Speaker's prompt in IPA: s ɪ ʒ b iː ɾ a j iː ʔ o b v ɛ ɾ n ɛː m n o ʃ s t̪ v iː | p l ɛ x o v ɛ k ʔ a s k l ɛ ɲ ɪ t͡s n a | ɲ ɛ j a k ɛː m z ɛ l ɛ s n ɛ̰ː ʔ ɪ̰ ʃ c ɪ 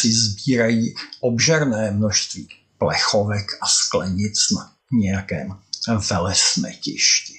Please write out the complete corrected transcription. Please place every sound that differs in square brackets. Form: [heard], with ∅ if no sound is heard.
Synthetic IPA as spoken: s ɪ [z] b iː ɾ a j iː ʔ o b [ʒ] ɛ ɾ n ɛː m n o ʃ s t̪ v iː | p l ɛ x o v ɛ k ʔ a s k l ɛ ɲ ɪ t͡s n a | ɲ ɛ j a k ɛː m [v] ɛ l ɛ s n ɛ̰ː [c] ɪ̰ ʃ c ɪ